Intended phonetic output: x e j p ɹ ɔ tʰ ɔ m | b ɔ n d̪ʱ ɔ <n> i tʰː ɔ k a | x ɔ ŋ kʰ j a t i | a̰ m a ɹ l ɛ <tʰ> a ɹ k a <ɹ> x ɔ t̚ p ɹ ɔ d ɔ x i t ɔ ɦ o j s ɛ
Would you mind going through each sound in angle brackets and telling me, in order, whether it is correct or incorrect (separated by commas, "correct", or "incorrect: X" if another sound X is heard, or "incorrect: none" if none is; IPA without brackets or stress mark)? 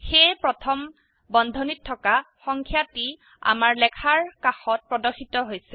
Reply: correct, incorrect: kʰ, incorrect: none